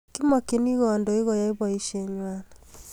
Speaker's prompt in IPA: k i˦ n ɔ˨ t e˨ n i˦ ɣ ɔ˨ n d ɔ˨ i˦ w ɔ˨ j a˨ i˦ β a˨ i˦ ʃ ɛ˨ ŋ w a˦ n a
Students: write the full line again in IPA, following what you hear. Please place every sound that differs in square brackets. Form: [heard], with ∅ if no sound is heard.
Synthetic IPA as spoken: k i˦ [m] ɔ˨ [k] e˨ n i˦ ɣ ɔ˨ n d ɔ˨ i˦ [ɣ] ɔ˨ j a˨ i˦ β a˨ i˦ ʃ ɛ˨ [ɲ] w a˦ n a

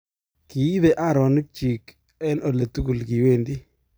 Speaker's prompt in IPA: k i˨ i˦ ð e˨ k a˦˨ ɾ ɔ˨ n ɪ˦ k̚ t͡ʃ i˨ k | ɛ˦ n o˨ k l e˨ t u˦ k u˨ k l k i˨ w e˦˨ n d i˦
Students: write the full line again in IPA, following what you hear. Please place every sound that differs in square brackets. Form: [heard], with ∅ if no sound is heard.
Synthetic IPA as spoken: k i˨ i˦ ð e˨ [ʔ] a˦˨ ɾ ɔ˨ n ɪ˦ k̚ t͡ʃ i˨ k | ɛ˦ n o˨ [∅] l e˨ t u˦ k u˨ [∅] l k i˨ w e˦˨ n d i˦

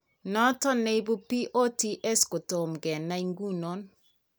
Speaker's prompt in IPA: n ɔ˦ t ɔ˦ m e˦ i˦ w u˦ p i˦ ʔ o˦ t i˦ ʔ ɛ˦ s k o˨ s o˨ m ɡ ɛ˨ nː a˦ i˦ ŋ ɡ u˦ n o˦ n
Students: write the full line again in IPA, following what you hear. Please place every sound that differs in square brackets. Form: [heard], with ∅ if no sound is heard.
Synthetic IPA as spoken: n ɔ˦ t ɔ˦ [n] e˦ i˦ [b] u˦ p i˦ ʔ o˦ t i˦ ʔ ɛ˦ s k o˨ [t] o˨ m ɡ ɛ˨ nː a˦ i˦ ŋ ɡ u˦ n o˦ n

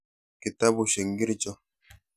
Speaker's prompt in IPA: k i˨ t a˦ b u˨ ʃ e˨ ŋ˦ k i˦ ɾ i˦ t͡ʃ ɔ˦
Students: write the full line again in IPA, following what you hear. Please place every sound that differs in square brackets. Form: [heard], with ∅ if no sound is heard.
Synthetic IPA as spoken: k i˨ t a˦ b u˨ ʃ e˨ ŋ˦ [ɡ] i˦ ɾ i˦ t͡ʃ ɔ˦

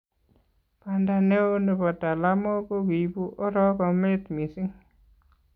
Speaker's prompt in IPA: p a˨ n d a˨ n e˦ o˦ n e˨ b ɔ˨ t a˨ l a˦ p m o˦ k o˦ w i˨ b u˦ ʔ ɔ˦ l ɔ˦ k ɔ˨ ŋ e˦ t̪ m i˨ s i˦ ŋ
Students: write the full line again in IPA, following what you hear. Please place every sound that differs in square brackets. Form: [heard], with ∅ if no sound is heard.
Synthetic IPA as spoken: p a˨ n d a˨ n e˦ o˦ n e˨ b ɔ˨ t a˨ l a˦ [∅] m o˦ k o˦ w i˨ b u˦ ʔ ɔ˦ [ɾ] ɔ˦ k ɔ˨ [m] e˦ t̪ m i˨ s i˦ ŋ

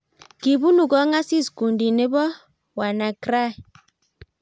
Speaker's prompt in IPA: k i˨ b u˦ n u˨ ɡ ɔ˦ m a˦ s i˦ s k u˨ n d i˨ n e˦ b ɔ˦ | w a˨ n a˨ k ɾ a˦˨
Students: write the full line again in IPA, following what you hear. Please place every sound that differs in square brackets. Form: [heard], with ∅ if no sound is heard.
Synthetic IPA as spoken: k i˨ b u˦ n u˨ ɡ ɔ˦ [ŋ] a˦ s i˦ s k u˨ n d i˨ n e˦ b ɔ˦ | w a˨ n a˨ k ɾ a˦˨

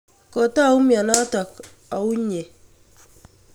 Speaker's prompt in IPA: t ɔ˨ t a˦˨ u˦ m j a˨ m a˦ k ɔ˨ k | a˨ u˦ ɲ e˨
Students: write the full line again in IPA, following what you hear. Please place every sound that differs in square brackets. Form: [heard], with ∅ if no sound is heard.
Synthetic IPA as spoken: [k] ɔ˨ t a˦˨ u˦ m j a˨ [n] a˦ [t] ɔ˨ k | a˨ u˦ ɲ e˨

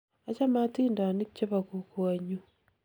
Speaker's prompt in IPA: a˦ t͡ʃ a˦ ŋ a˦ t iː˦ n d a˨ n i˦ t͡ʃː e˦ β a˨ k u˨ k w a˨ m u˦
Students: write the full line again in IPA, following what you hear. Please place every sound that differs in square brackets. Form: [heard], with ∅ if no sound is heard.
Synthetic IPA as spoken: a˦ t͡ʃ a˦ [m] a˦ t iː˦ n d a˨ n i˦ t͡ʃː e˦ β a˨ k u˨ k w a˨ [ɲ] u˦

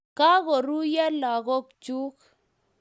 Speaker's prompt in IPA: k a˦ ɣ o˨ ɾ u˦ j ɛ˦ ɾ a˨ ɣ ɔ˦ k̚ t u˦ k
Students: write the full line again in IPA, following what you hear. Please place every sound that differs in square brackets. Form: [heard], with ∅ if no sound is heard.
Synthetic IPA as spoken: k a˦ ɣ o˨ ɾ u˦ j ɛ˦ [l] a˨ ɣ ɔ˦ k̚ [t͡ʃ] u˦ k

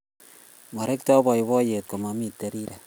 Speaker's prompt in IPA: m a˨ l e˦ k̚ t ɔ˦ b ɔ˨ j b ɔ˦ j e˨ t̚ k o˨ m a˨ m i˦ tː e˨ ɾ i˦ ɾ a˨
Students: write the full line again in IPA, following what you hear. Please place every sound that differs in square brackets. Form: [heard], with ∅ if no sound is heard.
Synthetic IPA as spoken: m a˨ [ɾ] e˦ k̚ t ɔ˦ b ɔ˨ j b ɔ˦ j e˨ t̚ k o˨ m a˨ m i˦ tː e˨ ɾ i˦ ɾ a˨

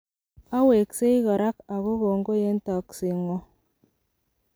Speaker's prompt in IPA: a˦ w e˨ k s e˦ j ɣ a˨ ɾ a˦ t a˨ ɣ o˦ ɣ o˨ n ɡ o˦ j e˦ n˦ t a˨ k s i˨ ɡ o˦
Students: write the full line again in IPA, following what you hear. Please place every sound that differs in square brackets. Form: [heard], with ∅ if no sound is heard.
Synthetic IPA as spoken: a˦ w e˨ k s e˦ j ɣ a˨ ɾ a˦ [k] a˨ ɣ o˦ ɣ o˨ [ŋ] ɡ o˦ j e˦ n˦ t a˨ k s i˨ [ŋ] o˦

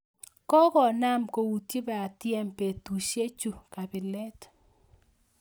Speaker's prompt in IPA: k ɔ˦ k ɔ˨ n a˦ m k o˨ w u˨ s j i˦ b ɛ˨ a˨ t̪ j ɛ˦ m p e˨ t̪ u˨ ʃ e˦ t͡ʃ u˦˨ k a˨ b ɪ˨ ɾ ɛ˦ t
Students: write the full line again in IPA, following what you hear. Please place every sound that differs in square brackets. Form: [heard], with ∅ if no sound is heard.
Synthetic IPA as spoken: k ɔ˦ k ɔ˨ n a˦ m k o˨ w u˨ [t] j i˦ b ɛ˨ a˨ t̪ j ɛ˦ m p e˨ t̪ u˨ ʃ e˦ t͡ʃ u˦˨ k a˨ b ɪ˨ [l] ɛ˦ t

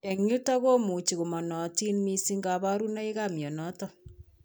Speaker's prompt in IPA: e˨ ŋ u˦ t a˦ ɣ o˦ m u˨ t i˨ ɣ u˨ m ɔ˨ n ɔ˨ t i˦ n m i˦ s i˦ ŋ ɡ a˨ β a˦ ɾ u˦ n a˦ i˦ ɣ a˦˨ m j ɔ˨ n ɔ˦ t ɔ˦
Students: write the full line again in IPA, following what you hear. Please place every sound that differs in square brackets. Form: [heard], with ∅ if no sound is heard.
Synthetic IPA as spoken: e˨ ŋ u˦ t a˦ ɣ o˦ m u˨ [t͡ʃ] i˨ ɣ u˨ m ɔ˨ n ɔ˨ t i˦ n m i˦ s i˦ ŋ ɡ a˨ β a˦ ɾ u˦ n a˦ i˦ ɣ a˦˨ m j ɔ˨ n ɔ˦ t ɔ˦

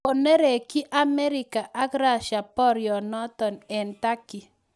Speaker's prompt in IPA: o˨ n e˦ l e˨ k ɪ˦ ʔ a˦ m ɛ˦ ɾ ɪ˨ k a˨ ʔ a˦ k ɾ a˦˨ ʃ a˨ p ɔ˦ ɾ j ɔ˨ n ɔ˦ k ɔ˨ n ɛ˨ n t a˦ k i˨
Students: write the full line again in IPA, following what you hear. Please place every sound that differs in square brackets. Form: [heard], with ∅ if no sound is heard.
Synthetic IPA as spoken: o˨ n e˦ [ɾ] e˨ k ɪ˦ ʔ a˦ m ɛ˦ ɾ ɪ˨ k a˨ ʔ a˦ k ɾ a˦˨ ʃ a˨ p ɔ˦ ɾ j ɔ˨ n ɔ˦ [t] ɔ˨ n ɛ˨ n t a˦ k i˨

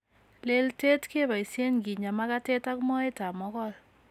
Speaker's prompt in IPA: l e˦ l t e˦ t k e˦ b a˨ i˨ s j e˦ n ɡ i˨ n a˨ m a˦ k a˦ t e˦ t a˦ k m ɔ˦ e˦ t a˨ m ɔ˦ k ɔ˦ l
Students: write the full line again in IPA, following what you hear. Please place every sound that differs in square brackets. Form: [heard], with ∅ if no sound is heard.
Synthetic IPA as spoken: l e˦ l t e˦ t k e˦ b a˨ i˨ s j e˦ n ɡ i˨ [ɲ] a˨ m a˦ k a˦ t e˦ t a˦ k m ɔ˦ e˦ t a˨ m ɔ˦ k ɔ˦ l

